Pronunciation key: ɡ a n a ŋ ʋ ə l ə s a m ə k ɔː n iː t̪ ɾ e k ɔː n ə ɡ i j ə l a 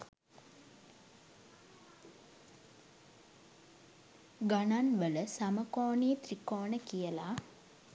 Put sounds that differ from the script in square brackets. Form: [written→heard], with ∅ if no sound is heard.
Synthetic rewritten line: ɡ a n a [ŋ→n] ʋ ə l ə s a m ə k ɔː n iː t̪ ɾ [e→i] k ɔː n ə [ɡ→k] i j ə l a

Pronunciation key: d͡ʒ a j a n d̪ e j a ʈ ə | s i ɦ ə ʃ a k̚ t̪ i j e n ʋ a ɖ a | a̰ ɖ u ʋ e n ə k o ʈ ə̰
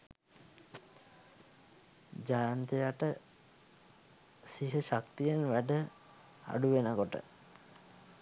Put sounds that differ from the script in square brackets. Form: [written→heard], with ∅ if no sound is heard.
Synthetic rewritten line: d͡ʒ a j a n [d̪→t̪] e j a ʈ ə | s i ɦ ə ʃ a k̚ t̪ i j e n ʋ [a→æ] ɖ [a→ə] | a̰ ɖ u ʋ e n ə k o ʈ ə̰

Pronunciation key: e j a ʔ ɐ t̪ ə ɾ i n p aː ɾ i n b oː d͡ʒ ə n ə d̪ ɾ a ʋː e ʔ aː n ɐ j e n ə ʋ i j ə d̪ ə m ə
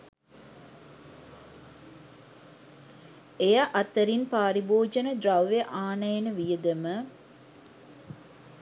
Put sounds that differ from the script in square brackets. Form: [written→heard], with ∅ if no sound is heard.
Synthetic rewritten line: e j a ʔ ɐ t̪ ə ɾ i n p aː ɾ i [n→∅] b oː d͡ʒ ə n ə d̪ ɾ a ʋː e ʔ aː n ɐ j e n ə ʋ i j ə d̪ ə m ə

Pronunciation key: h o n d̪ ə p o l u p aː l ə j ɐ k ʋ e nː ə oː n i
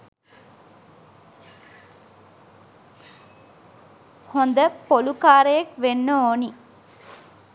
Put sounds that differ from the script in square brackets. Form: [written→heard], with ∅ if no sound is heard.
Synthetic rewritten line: h o n d̪ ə p o l u [p→k] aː [l→ɾ] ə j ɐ k ʋ e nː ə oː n i

